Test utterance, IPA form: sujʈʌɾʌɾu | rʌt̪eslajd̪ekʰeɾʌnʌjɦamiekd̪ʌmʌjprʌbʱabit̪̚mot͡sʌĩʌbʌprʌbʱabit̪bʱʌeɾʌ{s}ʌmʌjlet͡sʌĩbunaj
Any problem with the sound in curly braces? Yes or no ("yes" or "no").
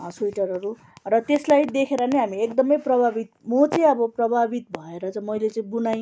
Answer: yes